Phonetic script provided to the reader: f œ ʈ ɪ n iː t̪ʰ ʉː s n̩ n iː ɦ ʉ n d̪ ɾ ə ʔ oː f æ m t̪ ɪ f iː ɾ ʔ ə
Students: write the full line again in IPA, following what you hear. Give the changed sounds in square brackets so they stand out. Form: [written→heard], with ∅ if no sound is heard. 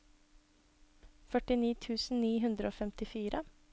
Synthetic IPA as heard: f œ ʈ ɪ n iː t̪ʰ ʉː s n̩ n iː ɦ ʉ n d̪ ɾ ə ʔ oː f [æ→ɛ] m t̪ ɪ f iː ɾ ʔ ə

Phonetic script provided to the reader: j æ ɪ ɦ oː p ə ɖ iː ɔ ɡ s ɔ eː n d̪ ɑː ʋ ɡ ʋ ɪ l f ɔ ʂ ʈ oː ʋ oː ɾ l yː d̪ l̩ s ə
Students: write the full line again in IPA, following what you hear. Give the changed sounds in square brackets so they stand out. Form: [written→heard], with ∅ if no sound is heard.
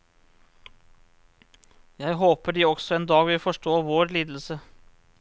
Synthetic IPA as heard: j æ ɪ ɦ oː p ə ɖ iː ɔ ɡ s ɔ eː n d̪ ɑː [ʋ→∅] ɡ ʋ ɪ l f ɔ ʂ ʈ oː ʋ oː ɾ l [yː→iː] d̪ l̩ s ə

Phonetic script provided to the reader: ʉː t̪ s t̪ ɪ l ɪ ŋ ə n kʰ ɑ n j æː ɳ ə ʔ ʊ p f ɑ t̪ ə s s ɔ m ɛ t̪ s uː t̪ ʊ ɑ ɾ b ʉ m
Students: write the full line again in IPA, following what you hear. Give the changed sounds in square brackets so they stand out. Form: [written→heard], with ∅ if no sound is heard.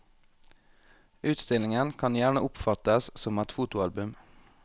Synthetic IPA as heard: ʉː t̪ s t̪ ɪ l ɪ ŋ ə n kʰ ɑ n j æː ɳ ə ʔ ʊ p f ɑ t̪ ə s s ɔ m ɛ t̪ [s→f] uː t̪ ʊ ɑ [ɾ→l] b ʉ m

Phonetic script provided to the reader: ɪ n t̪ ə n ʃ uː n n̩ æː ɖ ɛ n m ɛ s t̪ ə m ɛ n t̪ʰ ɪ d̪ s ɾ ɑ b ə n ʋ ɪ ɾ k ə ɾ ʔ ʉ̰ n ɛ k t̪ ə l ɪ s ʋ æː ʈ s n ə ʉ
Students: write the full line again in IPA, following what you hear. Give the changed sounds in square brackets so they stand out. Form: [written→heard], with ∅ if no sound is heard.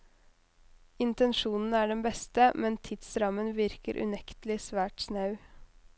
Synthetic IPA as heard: ɪ n t̪ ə n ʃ uː n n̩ æː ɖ ɛ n [m→b] ɛ s t̪ ə m ɛ n t̪ʰ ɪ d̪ s ɾ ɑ [b→m] ə n ʋ ɪ ɾ k ə ɾ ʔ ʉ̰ n ɛ k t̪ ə l ɪ s ʋ æː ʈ s n [ə→ɑ] ʉ

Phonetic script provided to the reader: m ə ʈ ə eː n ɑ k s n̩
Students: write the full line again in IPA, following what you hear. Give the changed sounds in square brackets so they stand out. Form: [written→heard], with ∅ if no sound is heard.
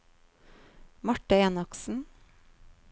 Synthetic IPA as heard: m [ə→ɑ] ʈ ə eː n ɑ k s n̩

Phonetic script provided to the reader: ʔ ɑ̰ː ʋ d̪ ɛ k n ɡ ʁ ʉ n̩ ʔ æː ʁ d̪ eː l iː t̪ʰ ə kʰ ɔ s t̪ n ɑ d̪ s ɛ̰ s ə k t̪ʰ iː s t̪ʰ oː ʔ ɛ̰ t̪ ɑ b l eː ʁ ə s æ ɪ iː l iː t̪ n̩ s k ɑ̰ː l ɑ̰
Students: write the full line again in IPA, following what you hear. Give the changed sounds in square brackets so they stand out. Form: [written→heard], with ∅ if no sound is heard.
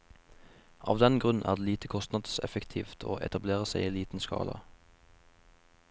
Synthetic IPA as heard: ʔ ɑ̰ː ʋ d̪ ɛ [k→∅] n ɡ ʁ ʉ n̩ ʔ æː ʁ d̪ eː l iː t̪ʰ ə kʰ ɔ s t̪ n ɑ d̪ s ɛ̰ [s→f] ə k t̪ʰ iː [s→f] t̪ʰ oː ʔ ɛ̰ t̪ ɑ b l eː ʁ ə s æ ɪ iː l iː t̪ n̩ s k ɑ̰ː l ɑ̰

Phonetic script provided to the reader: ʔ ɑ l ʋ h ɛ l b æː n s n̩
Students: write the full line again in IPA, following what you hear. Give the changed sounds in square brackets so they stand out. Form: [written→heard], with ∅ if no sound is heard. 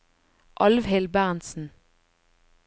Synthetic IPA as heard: ʔ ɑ l ʋ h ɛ l b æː n s n̩

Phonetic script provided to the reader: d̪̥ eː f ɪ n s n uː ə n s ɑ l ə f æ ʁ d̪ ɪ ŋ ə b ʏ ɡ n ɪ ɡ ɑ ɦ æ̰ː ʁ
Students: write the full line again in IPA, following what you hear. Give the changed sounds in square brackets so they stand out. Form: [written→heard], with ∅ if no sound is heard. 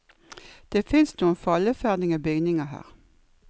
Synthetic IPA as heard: d̪̥ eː f ɪ n s n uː ə n [s→f] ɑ l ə f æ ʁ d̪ ɪ ŋ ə b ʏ ɡ n ɪ [ɡ→ŋ] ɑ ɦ æ̰ː ʁ

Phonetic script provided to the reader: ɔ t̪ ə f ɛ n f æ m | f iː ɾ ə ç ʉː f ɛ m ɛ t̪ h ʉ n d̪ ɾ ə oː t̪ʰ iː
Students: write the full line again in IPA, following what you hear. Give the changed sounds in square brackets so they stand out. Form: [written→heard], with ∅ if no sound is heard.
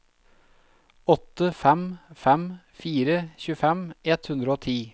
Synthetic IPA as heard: ɔ t̪ ə f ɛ [n→m] f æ m | f iː ɾ ə ç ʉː f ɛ m ɛ t̪ h ʉ n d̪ ɾ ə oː t̪ʰ iː

